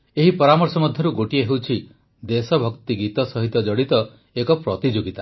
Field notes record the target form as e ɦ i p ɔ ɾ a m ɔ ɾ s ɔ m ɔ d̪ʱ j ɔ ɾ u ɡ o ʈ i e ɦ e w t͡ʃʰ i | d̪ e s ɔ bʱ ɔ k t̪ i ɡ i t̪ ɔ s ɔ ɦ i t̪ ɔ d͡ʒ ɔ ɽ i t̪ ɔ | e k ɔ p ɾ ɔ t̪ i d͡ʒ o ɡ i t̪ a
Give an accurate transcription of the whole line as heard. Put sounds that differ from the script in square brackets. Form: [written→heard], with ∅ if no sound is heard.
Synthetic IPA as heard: e ɦ i p ɔ ɾ a m ɔ ɾ s ɔ m ɔ d̪ʱ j ɔ ɾ u ɡ o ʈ i e ɦ e w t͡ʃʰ i | d̪ e s ɔ bʱ ɔ k t̪ i ɡ i t̪ ɔ s ɔ ɦ i t̪ ɔ d͡ʒ ɔ ɽ i t̪ ɔ | e k ɔ p ɾ ɔ t̪ i d͡ʒ o ɡ i t̪ a

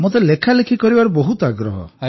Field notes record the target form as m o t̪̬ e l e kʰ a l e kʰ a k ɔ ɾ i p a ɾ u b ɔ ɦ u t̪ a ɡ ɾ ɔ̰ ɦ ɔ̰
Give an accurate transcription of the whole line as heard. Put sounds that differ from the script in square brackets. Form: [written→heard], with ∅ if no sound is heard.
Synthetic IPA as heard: m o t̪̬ e l e kʰ a l e kʰ [a→i] k ɔ ɾ i [p→b] a ɾ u b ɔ ɦ u t̪ a ɡ ɾ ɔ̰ ɦ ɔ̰

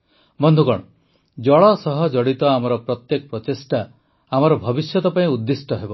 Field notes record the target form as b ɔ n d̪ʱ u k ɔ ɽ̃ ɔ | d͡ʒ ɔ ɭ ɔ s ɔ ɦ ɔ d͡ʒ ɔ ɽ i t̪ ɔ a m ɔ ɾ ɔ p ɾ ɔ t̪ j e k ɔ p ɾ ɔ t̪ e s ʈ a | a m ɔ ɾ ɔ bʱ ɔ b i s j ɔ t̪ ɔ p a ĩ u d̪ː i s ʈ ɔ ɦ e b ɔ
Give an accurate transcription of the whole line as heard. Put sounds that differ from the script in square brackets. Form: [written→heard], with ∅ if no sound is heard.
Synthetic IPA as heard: b ɔ n d̪ʱ u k ɔ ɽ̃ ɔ | d͡ʒ ɔ ɭ ɔ s ɔ ɦ ɔ d͡ʒ ɔ ɽ i t̪ ɔ a m ɔ ɾ ɔ p ɾ ɔ t̪ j e k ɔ p ɾ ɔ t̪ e s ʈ a | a m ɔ ɾ ɔ bʱ ɔ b i s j ɔ t̪ ɔ p a ĩ u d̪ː i s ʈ ɔ ɦ e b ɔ

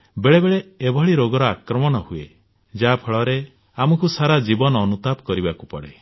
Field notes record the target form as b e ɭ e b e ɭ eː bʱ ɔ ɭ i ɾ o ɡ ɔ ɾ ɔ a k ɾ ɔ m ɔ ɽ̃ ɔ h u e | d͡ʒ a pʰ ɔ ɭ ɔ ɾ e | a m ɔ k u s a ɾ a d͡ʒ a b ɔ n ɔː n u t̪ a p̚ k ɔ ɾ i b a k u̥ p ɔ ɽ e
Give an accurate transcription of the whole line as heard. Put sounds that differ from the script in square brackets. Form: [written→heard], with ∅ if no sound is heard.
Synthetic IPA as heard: b e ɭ e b e ɭ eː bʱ ɔ ɭ i ɾ o ɡ ɔ ɾ ɔ a k ɾ ɔ m ɔ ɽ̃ ɔ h u e | d͡ʒ a pʰ ɔ ɭ ɔ ɾ e | a m ɔ k u s a ɾ a d͡ʒ [a→i] b ɔ n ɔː n u t̪ a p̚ k ɔ ɾ i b a k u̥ p ɔ ɽ e

